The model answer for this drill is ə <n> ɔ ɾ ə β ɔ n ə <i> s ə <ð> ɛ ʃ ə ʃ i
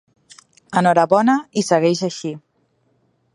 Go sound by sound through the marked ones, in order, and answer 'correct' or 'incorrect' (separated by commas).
correct, correct, incorrect